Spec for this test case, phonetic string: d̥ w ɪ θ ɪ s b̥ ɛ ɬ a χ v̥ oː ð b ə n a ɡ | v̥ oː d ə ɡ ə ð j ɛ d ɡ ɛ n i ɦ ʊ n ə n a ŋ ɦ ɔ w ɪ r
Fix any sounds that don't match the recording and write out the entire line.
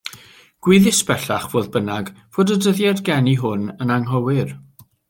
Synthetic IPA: ɡ̥ w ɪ ð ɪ s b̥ ɛ ɬ a χ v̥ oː ð b ə n a ɡ | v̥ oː d ə d ə ð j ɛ d ɡ ɛ n i ɦ ʊ n ə n a ŋ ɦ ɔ w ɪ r